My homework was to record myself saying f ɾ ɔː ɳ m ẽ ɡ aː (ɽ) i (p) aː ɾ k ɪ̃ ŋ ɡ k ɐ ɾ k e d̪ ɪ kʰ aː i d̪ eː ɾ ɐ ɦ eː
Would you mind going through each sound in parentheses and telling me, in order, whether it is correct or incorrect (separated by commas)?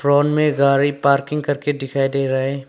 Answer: incorrect, correct